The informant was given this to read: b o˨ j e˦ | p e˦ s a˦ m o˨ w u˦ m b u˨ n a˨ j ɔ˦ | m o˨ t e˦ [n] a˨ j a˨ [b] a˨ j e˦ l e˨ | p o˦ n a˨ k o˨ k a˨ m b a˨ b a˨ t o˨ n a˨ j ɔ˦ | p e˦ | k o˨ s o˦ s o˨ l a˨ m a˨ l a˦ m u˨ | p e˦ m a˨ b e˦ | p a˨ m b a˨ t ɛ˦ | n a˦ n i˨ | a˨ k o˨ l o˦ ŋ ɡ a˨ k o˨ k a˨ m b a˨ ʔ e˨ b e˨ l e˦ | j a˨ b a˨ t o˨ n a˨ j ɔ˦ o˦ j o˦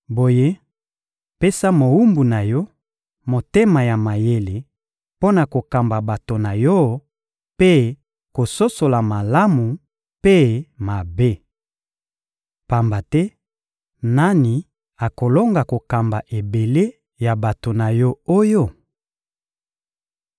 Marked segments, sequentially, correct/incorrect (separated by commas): incorrect, incorrect